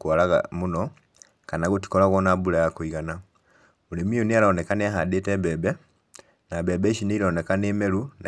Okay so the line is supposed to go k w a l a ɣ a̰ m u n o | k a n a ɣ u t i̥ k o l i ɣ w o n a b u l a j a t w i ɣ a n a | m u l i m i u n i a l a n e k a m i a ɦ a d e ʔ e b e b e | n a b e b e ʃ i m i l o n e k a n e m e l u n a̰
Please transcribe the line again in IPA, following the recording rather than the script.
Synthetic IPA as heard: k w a l a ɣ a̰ m u n o | k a n a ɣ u t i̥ k o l a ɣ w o n a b u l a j a k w i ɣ a n a | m u l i m i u n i a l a n e k a n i a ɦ a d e t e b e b e | n a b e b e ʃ i n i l o n e k a n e m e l u n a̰